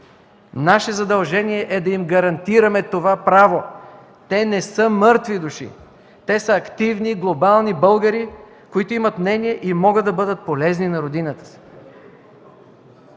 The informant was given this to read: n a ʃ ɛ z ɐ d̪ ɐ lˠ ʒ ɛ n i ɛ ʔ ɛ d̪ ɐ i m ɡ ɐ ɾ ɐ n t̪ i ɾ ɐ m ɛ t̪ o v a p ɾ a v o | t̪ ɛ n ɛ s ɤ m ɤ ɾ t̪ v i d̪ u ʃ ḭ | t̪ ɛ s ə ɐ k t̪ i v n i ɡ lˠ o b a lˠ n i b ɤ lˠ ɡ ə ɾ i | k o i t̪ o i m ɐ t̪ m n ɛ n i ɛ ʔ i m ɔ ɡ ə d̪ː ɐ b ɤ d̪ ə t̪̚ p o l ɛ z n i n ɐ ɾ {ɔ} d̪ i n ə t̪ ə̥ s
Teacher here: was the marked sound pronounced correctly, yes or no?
no